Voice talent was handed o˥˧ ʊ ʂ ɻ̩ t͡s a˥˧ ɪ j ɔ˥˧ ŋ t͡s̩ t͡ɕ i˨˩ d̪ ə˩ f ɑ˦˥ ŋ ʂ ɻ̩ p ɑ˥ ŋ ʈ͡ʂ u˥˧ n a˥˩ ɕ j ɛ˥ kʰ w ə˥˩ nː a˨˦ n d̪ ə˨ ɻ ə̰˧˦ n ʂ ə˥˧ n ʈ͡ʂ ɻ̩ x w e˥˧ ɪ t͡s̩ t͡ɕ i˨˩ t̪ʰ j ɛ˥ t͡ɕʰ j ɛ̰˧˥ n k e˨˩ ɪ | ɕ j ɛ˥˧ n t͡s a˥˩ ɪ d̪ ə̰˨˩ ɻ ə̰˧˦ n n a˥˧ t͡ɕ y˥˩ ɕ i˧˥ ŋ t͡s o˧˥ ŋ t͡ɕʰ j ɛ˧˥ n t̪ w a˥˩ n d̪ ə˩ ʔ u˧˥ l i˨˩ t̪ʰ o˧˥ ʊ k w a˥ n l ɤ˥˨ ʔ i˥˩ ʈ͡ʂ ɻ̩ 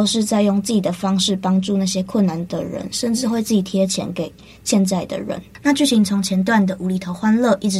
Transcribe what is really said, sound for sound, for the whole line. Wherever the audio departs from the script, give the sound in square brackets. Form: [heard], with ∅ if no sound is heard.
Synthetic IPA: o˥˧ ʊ ʂ ɻ̩ t͡s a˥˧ ɪ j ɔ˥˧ ŋ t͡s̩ t͡ɕ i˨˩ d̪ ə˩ f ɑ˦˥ ŋ ʂ ɻ̩ p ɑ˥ ŋ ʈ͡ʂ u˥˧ n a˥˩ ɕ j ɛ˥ kʰ w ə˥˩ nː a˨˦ n d̪ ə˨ ɻ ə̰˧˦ n ʂ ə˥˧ n ʈ͡ʂ ɻ̩ x w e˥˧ ɪ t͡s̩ t͡ɕ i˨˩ t̪ʰ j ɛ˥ t͡ɕʰ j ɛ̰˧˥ n k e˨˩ ɪ | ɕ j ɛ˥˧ n t͡s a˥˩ ɪ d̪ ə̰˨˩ ɻ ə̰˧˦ n n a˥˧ t͡ɕ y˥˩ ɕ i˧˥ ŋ [t͡sʰ] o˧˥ ŋ t͡ɕʰ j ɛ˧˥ n t̪ w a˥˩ n d̪ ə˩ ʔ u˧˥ l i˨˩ t̪ʰ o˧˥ ʊ [x] w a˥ n l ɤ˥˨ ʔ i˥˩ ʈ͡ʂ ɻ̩